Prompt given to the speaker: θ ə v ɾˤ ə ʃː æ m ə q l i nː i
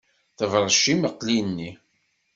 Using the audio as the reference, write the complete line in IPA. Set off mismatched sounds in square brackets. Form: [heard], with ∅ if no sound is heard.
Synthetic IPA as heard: θ ə v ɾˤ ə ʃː [i] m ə q l i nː i